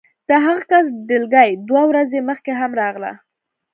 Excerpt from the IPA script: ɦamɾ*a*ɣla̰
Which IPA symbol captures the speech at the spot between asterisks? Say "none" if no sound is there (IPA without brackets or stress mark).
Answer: ɑ